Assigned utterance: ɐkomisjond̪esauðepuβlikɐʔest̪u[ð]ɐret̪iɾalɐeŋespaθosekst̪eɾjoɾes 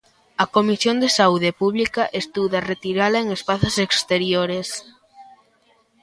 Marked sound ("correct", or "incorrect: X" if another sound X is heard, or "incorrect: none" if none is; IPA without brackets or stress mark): correct